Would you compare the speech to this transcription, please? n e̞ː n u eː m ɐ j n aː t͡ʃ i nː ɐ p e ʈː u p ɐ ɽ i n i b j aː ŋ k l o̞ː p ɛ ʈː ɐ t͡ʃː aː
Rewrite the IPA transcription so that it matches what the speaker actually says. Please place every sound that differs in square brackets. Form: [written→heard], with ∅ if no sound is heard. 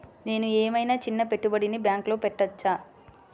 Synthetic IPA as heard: n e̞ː n u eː m ɐ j n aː t͡ʃ i nː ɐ p e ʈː u [p→b] ɐ ɽ i n i b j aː ŋ k l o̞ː p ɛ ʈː ɐ t͡ʃː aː